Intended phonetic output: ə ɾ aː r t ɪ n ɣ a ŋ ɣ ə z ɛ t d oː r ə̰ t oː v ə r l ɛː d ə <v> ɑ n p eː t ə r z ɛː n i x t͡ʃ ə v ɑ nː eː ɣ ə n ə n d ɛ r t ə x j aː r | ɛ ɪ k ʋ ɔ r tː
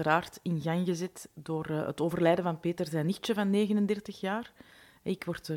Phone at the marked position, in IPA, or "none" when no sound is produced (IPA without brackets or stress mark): v